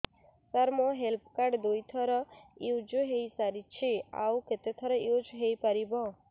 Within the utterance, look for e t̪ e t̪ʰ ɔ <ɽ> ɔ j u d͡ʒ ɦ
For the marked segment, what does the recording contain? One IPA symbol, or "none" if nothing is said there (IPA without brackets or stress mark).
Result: ɾ